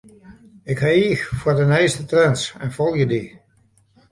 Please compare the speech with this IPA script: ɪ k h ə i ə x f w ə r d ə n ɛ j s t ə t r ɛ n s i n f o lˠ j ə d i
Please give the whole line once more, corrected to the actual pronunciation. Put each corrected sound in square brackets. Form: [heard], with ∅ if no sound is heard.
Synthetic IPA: ɪ k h [a] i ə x f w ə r d ə n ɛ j s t ə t r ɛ n s [ɛ] n f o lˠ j ə d i